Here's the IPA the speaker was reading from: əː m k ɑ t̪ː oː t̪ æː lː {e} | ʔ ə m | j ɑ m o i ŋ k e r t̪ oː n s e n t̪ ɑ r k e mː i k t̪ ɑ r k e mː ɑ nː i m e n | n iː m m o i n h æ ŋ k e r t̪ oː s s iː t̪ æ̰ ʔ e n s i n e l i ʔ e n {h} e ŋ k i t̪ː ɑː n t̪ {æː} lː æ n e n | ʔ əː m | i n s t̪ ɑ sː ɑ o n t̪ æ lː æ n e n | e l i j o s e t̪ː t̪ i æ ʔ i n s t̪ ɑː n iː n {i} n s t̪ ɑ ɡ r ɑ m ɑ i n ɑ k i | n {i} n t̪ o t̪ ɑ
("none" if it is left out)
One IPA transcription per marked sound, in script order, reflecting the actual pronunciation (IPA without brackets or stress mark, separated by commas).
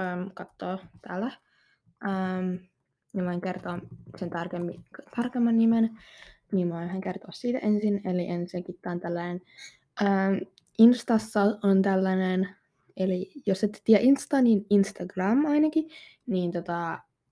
æ, s, æ, i, iː